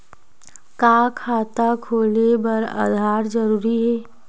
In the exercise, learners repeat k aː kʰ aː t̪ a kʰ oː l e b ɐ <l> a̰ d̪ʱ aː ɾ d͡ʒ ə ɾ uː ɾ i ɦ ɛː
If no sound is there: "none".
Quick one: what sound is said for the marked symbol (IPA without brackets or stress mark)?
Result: ɾ